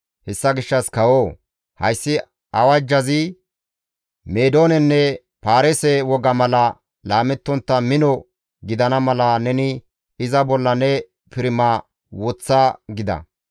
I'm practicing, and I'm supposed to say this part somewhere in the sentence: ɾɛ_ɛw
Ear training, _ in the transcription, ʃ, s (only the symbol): s